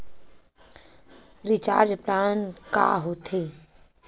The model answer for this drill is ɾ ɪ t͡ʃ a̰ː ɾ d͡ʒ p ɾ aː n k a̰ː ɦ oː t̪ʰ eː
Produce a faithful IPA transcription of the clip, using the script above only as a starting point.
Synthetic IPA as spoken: ɾ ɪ t͡ʃ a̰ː ɾ d͡ʒ p ɾ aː n k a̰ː ɦ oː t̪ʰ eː